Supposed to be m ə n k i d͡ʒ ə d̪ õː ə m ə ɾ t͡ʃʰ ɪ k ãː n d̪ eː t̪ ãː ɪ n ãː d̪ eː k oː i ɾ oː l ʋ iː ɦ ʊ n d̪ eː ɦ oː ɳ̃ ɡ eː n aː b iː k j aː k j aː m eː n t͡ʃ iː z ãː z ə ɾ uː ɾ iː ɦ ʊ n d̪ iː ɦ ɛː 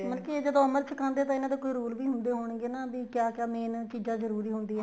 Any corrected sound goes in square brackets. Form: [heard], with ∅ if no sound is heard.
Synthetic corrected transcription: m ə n k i d͡ʒ ə d̪ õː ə m ə ɾ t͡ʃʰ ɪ k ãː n d̪ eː t̪ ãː ɪ n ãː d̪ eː k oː i ɾ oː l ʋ iː ɦ ʊ n d̪ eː ɦ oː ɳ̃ ɡ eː n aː b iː k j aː k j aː m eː n t͡ʃ iː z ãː z ə ɾ uː ɾ iː ɦ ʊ n d̪ iː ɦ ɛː